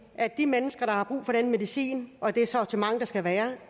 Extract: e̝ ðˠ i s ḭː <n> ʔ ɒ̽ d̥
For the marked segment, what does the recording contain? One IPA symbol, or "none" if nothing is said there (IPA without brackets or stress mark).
n